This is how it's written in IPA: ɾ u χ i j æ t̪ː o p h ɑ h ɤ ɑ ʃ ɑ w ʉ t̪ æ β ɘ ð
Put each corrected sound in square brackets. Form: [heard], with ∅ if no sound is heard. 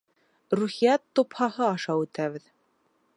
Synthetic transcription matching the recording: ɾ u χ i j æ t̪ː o p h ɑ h ɤ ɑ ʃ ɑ w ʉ t̪ æ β ɘ ð